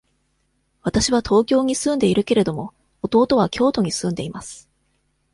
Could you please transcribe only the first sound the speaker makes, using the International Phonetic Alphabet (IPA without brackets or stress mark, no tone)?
β̞